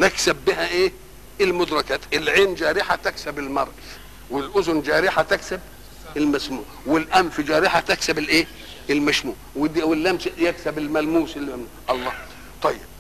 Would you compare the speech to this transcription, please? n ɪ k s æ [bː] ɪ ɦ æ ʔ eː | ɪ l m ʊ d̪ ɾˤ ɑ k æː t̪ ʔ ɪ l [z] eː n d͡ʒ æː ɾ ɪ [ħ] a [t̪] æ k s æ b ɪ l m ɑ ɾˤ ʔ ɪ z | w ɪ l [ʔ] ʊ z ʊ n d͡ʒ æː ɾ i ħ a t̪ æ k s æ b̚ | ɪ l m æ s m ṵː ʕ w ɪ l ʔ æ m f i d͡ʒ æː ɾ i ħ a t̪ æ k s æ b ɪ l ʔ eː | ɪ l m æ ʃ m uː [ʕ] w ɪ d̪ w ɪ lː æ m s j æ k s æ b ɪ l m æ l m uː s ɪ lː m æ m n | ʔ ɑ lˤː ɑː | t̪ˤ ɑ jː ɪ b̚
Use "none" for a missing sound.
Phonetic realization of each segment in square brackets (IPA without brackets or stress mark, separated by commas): bː, ʕ, ħ, t̪, ʔ, ʕ